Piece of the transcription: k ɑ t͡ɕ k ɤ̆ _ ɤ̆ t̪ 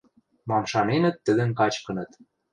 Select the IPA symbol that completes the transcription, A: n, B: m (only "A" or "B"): A